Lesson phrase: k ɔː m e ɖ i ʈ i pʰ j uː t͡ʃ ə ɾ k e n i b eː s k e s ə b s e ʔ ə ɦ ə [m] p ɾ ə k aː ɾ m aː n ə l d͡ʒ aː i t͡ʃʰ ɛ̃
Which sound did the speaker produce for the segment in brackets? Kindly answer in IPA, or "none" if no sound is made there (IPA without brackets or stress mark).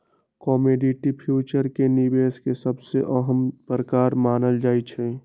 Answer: m